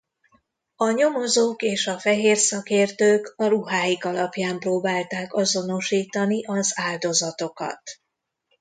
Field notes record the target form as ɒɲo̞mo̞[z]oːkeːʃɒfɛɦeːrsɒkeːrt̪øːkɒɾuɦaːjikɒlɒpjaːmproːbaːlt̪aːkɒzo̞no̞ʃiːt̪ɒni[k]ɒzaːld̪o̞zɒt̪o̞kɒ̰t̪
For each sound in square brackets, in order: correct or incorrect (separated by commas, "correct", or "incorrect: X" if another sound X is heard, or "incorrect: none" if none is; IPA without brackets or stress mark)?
correct, incorrect: ʔ